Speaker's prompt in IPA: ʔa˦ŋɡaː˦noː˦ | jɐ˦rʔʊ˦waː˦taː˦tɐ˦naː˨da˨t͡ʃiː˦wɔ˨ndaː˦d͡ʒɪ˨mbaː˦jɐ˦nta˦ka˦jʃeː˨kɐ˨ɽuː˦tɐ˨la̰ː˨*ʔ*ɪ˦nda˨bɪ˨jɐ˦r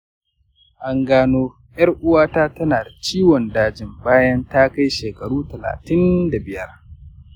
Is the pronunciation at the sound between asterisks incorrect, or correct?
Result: incorrect